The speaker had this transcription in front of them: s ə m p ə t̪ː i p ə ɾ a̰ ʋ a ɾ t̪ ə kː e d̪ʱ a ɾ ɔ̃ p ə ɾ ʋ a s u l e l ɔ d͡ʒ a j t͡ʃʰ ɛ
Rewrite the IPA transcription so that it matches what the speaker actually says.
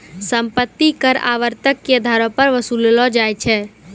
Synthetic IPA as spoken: s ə m p ə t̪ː i k ə ɾ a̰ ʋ ə ɾ t̪ ə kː e d̪ʱ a ɾ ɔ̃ p ə ɾ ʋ ə s u l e l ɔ d͡ʒ a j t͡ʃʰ ɛ